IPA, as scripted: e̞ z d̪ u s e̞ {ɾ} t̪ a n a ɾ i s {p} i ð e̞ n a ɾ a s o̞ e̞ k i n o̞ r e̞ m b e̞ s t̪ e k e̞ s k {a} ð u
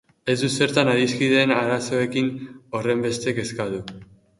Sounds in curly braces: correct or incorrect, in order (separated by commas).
correct, incorrect, correct